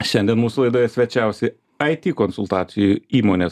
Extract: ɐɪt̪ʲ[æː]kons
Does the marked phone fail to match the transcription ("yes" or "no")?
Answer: yes